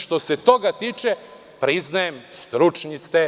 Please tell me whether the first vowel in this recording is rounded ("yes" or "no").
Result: yes